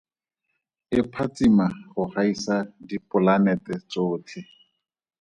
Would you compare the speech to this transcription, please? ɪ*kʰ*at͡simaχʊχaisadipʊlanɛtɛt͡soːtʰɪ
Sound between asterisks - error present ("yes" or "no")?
yes